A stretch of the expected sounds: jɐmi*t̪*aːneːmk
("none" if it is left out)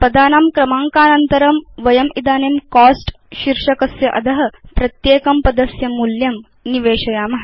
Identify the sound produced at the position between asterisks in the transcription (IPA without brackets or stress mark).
d̪